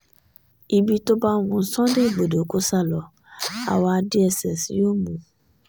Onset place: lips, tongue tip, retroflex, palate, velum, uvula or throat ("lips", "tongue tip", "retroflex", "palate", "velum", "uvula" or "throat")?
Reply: lips